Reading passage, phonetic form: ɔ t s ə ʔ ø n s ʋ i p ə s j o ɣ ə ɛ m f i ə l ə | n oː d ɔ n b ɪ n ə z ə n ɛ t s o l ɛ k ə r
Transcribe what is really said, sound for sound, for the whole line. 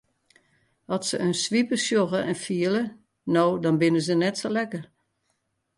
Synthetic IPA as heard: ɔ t s ə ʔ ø n s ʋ i p ə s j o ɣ ə ɛ n f i ə l ə | n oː d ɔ n b ɪ n ə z ə n ɛ t s o l ɛ k ə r